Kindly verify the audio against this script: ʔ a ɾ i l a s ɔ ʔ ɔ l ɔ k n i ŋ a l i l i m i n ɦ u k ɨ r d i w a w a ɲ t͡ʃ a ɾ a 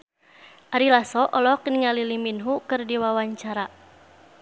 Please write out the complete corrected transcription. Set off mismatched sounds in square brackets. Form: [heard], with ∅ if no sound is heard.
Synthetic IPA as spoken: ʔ a ɾ i l a s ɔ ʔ ɔ l ɔ k n i ŋ a l i l i m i n ɦ u k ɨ r d i w a w a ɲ t͡ʃ a ɾ a